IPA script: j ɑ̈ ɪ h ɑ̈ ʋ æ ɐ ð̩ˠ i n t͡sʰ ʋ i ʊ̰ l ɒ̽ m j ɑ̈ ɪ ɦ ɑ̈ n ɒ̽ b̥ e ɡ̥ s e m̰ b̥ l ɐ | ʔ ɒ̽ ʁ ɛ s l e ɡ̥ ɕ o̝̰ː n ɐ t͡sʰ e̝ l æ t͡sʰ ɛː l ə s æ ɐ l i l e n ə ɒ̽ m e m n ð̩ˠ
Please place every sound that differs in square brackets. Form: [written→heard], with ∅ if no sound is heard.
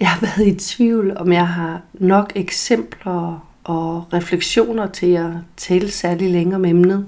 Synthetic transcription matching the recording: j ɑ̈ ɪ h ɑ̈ ʋ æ ɐ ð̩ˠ i [n→∅] t͡sʰ ʋ i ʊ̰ l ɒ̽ m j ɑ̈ ɪ ɦ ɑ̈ n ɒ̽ [b̥→ɡ̥] e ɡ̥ s e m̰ b̥ l ɐ | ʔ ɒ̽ ʁ ɛ [s→f] l e ɡ̥ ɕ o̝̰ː n ɐ t͡sʰ e̝ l æ t͡sʰ ɛː l ə s æ ɐ l i l e [n→ŋ] ə ɒ̽ m e m n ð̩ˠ